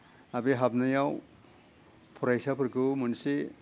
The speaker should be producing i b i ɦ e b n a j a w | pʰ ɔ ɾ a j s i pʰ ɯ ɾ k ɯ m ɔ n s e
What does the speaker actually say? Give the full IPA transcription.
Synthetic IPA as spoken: a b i ɦ a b n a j a w | pʰ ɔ ɾ a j s a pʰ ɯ ɾ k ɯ m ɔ n s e